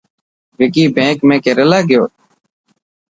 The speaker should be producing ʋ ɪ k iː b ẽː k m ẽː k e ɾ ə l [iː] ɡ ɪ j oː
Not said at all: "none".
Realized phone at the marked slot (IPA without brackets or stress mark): aː